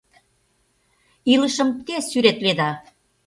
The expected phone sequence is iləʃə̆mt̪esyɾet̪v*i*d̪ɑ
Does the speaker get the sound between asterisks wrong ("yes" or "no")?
yes